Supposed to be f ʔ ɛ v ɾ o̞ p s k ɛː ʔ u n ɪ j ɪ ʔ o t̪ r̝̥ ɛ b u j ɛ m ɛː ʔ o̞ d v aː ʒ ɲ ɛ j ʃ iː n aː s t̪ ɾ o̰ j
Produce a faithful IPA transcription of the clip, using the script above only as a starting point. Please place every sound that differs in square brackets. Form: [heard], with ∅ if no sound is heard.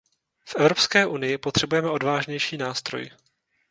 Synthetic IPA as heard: f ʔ ɛ v ɾ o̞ p s k ɛː ʔ u n ɪ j ɪ [p] o t̪ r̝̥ ɛ b u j ɛ m [ɛ] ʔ o̞ d v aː ʒ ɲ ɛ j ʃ iː n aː s t̪ ɾ o̰ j